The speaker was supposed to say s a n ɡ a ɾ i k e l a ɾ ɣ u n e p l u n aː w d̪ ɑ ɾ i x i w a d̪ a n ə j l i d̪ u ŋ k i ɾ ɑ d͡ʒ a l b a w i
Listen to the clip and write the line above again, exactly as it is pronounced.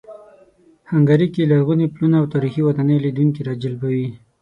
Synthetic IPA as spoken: h a ŋ ɡ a ɾ i k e l a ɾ ɣ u n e p l u n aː w t̪ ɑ ɾ i x i w a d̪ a n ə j l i d̪ u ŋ k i ɾ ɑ d͡ʒ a l b a w i